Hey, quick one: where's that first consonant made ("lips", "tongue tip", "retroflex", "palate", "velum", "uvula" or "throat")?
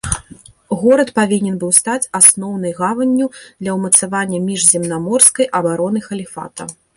velum